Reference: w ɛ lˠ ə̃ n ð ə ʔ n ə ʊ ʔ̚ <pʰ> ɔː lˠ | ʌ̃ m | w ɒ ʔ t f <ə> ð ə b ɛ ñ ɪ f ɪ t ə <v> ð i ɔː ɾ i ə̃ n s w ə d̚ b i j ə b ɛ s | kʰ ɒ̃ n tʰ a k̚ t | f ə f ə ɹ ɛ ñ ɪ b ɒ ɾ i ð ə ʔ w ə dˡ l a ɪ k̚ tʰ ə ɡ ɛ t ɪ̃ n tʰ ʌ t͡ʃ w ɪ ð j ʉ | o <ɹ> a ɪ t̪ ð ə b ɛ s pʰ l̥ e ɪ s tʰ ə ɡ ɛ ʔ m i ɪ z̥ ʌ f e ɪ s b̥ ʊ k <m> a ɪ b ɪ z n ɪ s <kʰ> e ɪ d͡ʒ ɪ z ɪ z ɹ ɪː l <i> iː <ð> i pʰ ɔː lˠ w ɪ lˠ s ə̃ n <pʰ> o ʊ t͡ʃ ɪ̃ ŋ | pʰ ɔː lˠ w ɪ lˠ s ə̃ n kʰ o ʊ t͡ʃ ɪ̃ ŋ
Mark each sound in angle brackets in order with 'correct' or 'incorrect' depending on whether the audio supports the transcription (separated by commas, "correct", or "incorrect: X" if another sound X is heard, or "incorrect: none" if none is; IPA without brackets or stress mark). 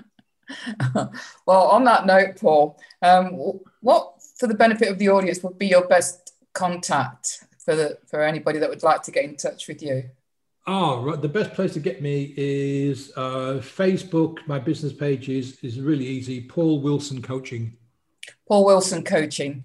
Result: correct, correct, correct, correct, correct, incorrect: pʰ, correct, incorrect: z, incorrect: kʰ